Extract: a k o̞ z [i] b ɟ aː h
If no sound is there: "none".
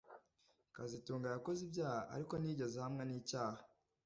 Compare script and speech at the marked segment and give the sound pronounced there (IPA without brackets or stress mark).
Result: i